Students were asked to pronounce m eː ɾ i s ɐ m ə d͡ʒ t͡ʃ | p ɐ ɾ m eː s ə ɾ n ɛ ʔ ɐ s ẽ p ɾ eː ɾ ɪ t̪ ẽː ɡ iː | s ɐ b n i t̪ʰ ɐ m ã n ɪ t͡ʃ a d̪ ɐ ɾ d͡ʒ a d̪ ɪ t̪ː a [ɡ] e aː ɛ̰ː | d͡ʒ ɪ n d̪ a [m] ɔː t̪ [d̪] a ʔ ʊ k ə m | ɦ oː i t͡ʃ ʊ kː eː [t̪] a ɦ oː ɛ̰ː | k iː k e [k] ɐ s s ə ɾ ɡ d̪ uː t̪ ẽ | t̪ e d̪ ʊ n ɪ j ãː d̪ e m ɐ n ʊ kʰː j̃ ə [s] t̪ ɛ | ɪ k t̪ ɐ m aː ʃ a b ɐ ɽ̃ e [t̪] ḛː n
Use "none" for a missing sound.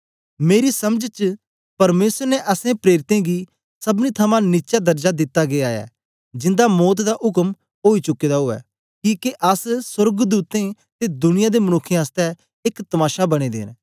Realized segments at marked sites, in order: ɡ, m, d̪, d̪, ʔ, s, d̪

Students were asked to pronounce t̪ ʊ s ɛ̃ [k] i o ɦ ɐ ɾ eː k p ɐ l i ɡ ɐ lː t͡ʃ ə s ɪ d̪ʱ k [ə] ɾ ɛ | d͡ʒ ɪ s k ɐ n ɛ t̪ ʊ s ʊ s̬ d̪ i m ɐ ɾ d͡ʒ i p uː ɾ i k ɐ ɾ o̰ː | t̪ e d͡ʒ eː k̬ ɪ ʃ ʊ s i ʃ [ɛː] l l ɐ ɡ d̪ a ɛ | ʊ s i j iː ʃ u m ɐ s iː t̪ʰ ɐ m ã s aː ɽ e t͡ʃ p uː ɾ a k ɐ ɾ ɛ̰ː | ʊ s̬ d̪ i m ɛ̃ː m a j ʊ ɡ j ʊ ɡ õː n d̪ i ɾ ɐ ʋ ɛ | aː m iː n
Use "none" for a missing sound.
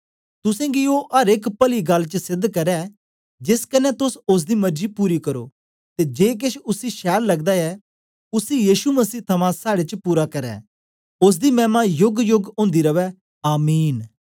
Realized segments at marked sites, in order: ɡ, ɐ, ɛː

